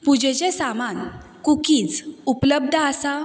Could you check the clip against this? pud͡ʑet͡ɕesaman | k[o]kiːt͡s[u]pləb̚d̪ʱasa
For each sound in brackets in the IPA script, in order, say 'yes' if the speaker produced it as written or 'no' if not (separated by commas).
no, yes